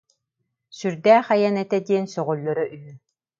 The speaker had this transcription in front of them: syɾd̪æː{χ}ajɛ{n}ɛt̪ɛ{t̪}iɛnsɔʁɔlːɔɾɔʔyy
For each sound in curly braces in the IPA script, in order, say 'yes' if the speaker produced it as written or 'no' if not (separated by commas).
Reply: yes, yes, no